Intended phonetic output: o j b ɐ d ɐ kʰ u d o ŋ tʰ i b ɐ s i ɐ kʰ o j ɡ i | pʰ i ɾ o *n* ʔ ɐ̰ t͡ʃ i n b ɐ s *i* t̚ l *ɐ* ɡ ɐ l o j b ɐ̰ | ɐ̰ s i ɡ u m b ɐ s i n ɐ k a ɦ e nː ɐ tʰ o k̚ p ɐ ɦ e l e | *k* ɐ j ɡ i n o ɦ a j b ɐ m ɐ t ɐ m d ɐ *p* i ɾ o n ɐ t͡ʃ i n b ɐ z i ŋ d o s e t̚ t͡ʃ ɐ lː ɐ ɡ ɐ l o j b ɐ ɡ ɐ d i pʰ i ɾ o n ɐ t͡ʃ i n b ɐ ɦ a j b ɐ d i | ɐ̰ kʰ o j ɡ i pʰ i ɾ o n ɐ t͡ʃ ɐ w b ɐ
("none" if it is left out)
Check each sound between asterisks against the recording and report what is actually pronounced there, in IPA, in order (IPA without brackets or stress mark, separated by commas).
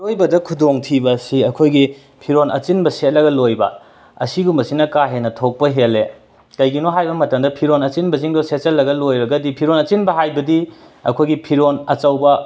n, e, ɐ, k, pʰ